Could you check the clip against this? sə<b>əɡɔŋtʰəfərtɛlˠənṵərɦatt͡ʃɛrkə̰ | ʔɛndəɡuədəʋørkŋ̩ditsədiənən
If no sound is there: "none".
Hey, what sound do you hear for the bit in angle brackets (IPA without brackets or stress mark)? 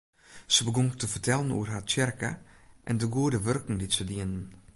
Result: b